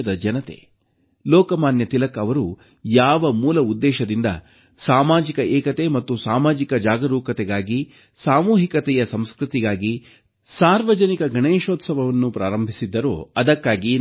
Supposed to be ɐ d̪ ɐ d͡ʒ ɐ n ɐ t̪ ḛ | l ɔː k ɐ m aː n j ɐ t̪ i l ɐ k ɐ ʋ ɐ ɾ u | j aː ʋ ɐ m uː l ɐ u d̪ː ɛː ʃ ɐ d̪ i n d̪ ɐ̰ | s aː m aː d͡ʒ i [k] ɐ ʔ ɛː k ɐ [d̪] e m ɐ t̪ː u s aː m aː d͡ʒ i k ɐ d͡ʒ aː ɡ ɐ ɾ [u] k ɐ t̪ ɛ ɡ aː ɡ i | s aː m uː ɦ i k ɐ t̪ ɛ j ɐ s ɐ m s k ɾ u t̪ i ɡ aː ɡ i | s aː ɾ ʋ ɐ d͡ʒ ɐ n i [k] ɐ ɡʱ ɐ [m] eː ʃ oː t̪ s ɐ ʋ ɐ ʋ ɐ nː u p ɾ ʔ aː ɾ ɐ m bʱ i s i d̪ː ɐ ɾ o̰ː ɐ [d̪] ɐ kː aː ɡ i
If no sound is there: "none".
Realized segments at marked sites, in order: k, t̪, uː, k, ɳ, d̪

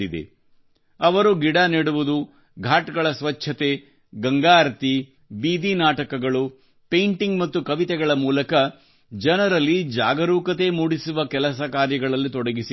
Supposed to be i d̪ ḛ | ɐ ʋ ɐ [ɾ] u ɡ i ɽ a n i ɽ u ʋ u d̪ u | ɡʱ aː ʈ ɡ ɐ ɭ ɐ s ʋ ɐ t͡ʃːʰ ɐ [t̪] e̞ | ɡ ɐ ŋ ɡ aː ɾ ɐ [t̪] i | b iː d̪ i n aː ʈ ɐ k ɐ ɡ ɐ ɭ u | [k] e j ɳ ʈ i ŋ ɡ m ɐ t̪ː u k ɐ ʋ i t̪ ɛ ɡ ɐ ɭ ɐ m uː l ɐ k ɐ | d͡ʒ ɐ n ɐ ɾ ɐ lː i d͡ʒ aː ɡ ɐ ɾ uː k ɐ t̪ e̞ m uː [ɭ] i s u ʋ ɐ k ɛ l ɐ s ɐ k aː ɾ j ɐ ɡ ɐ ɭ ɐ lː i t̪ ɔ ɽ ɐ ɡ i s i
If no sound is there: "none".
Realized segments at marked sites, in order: ɾ, t̪, t̪, p, ɽ

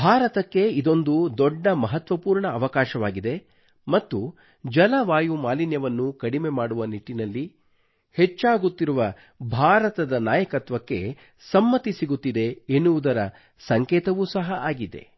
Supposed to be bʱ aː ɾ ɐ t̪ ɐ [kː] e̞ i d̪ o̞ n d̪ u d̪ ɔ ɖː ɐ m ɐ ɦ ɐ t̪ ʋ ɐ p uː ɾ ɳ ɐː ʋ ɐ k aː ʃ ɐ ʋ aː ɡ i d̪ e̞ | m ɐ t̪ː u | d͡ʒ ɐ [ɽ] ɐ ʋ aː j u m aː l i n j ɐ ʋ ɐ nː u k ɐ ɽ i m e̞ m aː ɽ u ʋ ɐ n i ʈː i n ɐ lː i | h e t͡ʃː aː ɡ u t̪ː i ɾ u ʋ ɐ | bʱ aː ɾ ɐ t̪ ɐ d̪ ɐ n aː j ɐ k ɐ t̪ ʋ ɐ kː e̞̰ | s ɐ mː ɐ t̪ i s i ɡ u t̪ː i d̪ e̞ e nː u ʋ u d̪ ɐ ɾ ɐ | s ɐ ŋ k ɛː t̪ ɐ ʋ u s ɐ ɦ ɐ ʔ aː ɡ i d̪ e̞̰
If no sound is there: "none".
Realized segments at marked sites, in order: kː, l

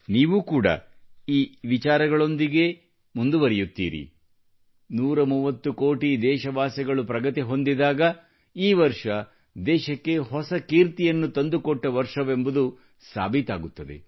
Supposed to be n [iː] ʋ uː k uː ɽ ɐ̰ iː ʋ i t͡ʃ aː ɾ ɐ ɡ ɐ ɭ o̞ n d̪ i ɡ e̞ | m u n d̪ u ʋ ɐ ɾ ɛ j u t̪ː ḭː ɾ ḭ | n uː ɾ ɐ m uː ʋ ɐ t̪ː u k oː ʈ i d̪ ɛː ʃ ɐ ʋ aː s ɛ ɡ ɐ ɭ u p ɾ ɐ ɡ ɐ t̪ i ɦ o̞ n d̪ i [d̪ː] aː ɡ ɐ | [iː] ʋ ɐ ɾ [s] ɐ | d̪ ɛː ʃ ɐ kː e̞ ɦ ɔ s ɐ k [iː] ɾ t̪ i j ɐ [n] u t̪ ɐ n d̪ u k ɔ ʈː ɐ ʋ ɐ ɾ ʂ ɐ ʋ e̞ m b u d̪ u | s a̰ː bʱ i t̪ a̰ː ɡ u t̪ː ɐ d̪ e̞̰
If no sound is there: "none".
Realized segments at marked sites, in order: iː, d̪, iː, ʂ, iː, nː

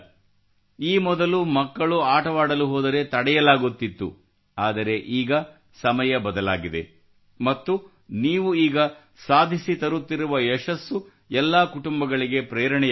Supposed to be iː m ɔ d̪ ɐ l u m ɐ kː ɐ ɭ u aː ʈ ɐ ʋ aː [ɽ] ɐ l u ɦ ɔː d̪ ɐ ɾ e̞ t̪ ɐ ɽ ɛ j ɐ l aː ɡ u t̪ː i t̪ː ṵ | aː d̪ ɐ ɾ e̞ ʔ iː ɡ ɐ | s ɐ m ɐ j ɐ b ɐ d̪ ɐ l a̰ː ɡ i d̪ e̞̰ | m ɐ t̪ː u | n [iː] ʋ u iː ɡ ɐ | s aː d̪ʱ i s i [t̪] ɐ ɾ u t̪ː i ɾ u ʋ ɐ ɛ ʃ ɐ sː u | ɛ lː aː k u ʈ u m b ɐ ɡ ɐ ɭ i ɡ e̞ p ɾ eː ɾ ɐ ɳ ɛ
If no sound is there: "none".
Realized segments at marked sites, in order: ɽ, iː, t̪

